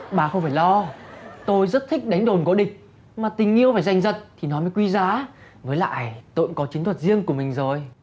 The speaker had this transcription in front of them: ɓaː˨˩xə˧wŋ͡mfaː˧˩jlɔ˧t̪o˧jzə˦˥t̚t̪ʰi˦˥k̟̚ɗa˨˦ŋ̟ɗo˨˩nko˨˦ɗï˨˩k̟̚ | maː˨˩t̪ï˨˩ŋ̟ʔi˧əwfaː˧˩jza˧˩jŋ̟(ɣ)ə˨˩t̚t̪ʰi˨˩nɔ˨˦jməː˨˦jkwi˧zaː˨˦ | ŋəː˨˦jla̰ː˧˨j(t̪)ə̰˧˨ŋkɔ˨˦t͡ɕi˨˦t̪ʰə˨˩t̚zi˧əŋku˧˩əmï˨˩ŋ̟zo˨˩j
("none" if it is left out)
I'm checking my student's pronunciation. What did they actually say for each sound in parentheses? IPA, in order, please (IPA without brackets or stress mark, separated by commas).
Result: z, t̪